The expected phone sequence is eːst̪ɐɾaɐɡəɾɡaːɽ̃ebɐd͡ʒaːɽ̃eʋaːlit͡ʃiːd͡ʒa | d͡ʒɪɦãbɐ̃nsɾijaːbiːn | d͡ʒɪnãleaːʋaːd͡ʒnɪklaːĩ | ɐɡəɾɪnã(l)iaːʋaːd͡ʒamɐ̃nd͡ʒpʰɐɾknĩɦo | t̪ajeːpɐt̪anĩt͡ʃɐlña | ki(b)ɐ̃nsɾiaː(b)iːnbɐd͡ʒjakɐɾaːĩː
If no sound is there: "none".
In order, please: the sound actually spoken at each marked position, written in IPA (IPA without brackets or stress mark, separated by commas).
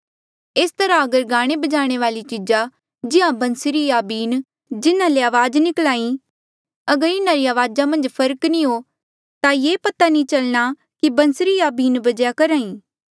ɾ, b, b